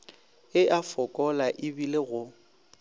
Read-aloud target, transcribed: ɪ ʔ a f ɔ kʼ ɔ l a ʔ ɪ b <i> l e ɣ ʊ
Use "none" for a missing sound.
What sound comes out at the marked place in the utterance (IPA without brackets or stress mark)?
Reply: i